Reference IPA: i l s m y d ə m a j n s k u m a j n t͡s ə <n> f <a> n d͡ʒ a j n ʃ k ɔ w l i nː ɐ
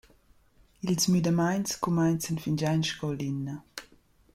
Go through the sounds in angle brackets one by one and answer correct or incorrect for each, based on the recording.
correct, incorrect: i

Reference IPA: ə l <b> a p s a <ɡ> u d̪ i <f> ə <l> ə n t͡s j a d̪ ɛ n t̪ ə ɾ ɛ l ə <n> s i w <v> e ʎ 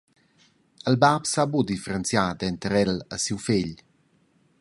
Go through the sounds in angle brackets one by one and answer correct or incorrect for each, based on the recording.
correct, incorrect: b, correct, incorrect: ɾ, incorrect: none, incorrect: f

